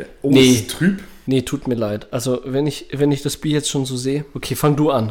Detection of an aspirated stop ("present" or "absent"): present